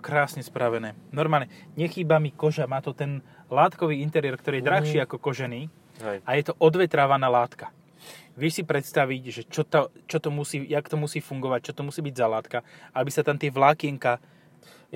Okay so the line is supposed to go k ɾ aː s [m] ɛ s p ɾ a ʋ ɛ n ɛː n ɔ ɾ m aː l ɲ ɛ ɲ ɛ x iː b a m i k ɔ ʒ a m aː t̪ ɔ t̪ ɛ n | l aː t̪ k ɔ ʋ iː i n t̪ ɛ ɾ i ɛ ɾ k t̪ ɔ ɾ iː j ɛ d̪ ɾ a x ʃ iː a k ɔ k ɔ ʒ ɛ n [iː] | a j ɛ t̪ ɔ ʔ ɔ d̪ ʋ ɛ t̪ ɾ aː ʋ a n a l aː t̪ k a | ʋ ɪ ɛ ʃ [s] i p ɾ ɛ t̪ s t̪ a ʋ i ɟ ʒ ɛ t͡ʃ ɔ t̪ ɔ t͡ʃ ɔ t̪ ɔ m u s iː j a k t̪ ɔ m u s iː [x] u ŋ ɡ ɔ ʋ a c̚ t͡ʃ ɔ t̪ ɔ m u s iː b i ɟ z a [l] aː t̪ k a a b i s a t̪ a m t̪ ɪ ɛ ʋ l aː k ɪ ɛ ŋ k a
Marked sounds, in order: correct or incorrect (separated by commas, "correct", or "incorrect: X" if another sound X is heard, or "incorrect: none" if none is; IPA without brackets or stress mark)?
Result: incorrect: ɲ, correct, correct, incorrect: f, correct